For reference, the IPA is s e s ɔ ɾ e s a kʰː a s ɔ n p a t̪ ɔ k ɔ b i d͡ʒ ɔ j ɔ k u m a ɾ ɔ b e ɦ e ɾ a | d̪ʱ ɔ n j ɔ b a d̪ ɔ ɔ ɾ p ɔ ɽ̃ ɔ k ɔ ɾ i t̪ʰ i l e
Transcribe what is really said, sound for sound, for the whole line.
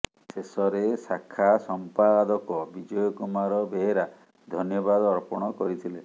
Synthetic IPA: s e s ɔ ɾ e s a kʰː a s ɔ m p a d̪ ɔ k ɔ b i d͡ʒ ɔ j ɔ k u m a ɾ ɔ b e ɦ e ɾ a | d̪ʱ ɔ n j ɔ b a d̪ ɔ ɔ ɾ p ɔ ɽ̃ ɔ k ɔ ɾ i t̪ʰ i l e